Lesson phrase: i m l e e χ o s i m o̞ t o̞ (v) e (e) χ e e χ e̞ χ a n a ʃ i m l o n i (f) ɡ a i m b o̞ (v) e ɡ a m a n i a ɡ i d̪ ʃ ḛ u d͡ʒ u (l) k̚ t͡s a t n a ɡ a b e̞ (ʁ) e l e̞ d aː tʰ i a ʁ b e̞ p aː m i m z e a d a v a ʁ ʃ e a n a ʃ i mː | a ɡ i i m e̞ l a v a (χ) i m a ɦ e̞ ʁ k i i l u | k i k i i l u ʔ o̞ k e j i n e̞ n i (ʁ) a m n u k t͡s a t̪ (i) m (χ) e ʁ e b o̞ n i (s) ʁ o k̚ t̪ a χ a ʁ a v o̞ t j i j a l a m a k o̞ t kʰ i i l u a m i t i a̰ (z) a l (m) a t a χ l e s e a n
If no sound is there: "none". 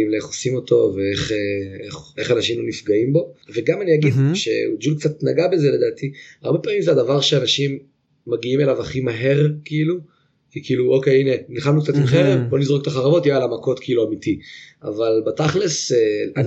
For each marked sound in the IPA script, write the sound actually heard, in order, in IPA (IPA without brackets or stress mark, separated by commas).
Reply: v, e, f, v, l, z, χ, χ, i, χ, z, v, b